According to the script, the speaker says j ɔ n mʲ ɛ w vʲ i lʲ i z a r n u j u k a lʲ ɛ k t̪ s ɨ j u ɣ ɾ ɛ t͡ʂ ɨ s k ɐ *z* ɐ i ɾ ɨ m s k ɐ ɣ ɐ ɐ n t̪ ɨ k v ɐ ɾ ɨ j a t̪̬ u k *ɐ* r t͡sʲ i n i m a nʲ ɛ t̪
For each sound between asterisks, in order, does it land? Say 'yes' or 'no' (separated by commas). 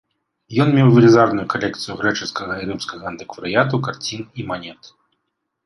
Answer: no, no